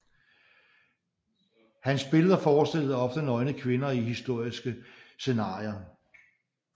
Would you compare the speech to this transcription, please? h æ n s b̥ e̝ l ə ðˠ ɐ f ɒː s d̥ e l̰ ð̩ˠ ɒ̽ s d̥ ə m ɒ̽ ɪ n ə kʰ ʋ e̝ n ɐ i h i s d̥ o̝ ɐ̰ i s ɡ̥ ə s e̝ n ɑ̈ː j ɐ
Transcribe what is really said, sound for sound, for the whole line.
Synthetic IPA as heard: h æ n s b̥ e̝ l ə ðˠ ɐ f ɒː s d̥ e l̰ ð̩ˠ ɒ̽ f d̥ ə n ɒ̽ ɪ n ə kʰ ʋ e̝ n ɐ i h i s d̥ o̝ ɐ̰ i s ɡ̥ ə s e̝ n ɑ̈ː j ɐ